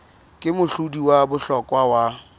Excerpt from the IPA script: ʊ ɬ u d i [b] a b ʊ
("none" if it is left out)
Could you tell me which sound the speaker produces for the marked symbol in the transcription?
w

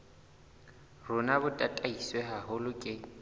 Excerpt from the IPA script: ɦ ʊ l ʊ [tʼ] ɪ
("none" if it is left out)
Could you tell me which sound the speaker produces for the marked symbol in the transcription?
kʼ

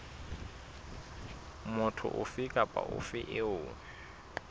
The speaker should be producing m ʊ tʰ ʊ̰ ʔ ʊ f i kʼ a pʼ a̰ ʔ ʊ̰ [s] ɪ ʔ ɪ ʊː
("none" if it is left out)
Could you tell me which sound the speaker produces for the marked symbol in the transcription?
f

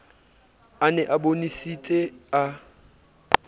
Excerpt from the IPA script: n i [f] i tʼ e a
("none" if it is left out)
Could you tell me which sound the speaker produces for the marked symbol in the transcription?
s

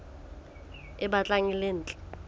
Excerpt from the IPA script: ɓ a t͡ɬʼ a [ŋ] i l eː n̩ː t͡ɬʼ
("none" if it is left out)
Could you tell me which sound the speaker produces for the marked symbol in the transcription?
ŋ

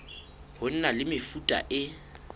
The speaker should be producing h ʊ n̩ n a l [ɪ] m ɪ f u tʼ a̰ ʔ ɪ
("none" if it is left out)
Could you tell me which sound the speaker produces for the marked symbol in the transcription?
ɪ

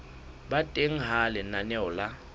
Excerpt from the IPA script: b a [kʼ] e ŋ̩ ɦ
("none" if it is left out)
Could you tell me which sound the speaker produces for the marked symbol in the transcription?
tʼ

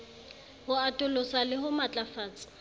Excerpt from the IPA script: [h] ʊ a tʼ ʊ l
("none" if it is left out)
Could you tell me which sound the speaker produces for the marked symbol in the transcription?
h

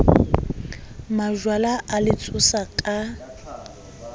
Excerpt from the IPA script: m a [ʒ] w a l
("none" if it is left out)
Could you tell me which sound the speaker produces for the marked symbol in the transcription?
ʒ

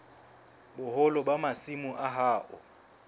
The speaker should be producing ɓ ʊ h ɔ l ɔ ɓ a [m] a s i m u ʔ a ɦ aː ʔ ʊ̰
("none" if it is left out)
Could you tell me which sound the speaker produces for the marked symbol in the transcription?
m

